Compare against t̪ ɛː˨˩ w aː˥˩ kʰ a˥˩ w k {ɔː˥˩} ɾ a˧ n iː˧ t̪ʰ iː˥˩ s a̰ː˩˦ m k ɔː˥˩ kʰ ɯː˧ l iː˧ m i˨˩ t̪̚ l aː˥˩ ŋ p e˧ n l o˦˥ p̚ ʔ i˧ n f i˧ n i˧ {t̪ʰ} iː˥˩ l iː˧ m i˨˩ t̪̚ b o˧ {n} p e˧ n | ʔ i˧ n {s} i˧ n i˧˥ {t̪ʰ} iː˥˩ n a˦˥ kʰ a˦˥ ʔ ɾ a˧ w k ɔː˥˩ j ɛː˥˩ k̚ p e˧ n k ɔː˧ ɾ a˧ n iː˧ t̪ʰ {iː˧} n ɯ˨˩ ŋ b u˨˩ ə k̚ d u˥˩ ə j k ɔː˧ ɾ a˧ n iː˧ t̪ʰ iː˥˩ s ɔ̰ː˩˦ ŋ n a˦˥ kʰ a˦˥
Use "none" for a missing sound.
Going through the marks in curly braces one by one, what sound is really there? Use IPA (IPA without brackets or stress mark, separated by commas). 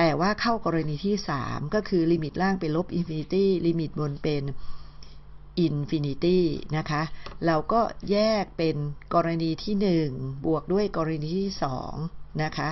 ɔː˧, t̪, n, f, t̪, iː˥˩